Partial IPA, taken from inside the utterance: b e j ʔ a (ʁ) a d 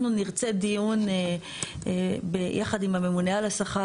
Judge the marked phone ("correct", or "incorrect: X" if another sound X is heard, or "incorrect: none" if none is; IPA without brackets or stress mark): incorrect: χ